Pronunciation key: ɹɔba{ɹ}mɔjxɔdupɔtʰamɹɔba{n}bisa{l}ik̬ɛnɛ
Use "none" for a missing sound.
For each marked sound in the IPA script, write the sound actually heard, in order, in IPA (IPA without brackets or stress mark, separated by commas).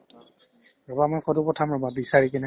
none, none, ɹ